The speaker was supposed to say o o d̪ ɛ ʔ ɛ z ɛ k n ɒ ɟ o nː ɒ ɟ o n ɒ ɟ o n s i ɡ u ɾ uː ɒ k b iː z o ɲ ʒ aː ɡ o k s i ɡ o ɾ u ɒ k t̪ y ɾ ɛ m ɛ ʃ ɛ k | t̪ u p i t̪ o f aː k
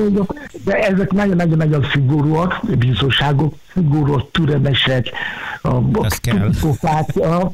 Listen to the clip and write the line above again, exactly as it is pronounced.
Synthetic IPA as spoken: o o d̪ ɛ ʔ ɛ z ɛ k n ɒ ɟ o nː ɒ ɟ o n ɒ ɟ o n s i ɡ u ɾ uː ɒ k b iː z o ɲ ʃ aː ɡ o k s i ɡ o ɾ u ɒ k t̪ y ɾ ɛ m ɛ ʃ ɛ k | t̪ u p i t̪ o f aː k